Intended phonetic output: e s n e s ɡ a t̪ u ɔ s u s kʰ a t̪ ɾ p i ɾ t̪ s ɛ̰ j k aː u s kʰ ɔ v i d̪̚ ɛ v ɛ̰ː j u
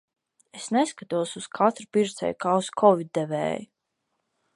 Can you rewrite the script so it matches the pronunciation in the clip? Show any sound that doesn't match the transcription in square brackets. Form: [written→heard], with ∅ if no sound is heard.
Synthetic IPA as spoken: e s n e s [ɡ→k] a t̪ u ɔ s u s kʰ a t̪ ɾ p i ɾ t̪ s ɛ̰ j k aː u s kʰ ɔ v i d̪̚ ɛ v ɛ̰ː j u